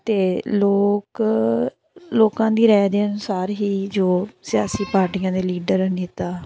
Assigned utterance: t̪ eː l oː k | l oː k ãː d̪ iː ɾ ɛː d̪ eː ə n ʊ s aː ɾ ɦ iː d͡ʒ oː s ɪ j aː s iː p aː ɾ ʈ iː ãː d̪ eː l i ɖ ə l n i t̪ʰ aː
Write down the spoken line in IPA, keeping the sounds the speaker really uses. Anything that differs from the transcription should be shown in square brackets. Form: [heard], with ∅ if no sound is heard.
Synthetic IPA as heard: t̪ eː l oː k | l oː k ãː d̪ iː ɾ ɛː d̪ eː ə n ʊ s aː ɾ ɦ iː d͡ʒ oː s ɪ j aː s iː p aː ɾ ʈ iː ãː d̪ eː l [iː] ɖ ə [ɾ] n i [t̪] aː